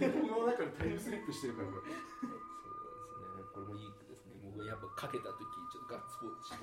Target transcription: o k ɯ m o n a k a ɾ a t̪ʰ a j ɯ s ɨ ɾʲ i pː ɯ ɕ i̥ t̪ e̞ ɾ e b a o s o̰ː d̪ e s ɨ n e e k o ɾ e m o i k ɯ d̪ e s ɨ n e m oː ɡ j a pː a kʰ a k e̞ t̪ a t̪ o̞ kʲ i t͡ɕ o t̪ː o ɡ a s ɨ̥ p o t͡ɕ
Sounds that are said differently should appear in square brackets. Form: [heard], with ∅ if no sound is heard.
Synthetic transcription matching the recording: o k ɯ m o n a k a ɾ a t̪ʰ a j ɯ s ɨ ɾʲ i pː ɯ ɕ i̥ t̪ e̞ ɾ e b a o s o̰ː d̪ e s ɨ n e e k o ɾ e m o i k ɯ d̪ e s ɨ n e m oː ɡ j a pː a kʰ a k e̞ t̪ a t̪ o̞ kʲ i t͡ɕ o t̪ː o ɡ a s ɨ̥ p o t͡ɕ